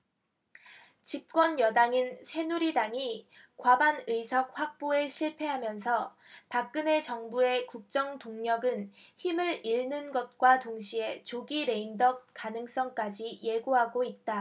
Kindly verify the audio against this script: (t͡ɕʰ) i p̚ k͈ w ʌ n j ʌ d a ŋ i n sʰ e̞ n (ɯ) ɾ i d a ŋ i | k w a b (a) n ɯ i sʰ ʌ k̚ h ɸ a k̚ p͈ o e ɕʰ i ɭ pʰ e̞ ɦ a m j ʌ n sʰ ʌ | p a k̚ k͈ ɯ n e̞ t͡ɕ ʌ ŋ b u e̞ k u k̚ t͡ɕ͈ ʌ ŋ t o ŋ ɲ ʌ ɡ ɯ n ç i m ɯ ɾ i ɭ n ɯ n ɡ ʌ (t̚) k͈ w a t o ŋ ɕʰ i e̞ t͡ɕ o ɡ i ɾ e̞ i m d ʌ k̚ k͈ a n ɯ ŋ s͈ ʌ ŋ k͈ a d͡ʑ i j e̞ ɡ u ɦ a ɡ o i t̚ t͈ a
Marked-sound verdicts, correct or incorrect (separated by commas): incorrect, incorrect, correct, correct